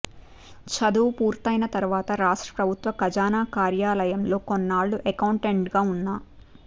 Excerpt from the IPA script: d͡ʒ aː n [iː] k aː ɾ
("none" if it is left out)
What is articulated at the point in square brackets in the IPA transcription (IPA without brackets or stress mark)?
aː